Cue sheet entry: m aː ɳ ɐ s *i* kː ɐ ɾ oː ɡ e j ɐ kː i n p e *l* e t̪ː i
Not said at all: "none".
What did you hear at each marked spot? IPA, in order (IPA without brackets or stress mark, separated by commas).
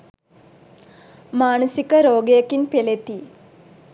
i, l